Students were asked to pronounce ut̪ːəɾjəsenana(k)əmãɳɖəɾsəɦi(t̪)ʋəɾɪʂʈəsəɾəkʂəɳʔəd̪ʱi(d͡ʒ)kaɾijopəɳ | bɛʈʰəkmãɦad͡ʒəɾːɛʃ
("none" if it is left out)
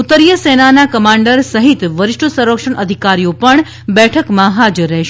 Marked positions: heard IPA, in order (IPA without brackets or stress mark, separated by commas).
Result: k, t̪, none